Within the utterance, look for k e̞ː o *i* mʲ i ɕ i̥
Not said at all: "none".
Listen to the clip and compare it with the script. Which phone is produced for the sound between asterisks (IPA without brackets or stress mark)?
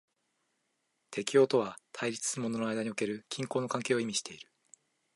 i